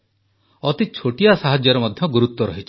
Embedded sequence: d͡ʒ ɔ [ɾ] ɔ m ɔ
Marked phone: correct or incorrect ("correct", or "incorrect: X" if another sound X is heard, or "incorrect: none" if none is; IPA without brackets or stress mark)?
correct